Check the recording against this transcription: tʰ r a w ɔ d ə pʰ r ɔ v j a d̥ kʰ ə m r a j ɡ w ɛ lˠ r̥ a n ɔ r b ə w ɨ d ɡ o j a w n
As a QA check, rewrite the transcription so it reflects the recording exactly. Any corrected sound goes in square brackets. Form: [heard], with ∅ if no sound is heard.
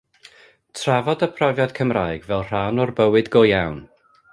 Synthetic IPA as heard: tʰ r a [v] ɔ d ə pʰ r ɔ v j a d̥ kʰ ə m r a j ɡ [v] ɛ lˠ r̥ a n ɔ r b ə w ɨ d ɡ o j a w n